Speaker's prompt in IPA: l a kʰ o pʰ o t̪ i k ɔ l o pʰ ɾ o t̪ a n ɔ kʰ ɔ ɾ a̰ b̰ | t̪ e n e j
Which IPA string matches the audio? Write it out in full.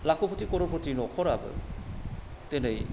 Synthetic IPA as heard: l a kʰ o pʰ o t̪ i k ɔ ɾ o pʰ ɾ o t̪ i n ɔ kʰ ɔ ɾ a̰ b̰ | t̪ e n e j

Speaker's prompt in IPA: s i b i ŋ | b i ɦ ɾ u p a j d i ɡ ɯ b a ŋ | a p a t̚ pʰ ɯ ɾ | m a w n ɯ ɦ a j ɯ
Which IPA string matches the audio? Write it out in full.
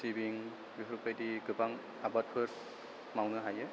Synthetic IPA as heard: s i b i ŋ | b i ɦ ɾ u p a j d i ɡ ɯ b a ŋ | a b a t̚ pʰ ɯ ɾ | m a w n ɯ ɦ a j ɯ

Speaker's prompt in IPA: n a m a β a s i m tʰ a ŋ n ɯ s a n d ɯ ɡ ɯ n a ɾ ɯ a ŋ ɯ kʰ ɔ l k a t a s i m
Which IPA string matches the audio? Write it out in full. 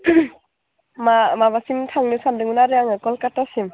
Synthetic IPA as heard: m a m a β a s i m tʰ a ŋ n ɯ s a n d ɯ ŋ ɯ n a ɾ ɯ a ŋ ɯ k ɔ l k a t a s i m

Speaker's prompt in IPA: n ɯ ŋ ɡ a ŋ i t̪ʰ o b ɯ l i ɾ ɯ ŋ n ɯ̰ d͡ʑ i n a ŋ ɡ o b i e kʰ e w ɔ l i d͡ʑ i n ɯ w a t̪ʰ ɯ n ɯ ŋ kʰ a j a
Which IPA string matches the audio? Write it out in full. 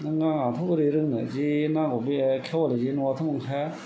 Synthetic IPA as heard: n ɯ ŋ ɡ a ŋ a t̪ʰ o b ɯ ɾ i ɾ ɯ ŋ n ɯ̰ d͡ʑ i n a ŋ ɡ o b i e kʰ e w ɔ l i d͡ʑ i n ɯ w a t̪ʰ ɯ m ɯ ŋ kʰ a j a

